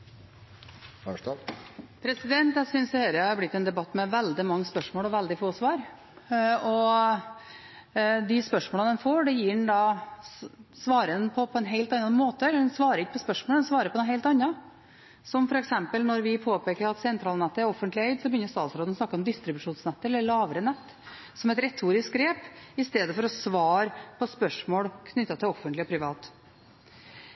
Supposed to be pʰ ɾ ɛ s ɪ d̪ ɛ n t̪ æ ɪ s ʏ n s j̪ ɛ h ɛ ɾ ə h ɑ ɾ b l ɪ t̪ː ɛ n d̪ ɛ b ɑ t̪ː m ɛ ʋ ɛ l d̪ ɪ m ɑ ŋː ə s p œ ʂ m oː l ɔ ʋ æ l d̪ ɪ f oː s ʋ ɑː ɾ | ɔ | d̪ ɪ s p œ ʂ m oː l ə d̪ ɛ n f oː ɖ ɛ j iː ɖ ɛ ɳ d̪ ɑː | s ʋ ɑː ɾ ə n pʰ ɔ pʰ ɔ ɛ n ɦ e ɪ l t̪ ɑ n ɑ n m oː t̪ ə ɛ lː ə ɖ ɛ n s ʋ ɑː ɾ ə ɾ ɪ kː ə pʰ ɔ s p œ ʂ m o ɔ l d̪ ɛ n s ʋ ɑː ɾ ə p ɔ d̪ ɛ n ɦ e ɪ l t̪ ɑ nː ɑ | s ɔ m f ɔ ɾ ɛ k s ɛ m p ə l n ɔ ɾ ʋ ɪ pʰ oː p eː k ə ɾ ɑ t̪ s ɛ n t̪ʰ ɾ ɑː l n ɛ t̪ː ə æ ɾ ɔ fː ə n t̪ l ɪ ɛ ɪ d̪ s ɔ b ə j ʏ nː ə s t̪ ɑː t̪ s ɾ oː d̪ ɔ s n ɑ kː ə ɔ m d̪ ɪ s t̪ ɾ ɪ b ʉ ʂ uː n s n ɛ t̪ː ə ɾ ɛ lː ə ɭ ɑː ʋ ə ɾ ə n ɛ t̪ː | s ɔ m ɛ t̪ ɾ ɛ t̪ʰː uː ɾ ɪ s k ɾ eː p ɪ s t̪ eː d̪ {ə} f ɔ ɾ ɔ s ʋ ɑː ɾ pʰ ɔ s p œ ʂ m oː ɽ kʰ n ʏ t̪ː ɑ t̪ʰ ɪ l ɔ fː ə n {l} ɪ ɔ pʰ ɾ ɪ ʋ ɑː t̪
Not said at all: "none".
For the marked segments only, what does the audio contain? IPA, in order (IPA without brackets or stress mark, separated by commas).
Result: ə, l